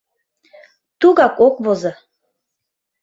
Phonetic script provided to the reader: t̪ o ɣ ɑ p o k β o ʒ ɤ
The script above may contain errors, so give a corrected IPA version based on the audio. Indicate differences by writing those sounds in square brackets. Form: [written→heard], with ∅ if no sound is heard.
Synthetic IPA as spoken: t̪ [o→u] ɣ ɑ [p→k] o k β o [ʒ→z] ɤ